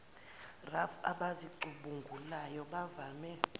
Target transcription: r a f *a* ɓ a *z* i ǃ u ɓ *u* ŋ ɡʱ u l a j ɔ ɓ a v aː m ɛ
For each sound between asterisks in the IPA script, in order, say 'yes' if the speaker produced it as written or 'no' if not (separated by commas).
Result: yes, yes, yes